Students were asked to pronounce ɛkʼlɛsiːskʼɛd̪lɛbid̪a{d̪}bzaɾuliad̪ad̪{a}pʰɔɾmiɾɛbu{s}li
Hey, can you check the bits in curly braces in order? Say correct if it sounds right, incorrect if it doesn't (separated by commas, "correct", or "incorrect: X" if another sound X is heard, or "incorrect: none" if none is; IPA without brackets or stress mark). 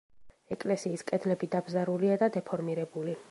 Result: incorrect: none, incorrect: ɛ, incorrect: none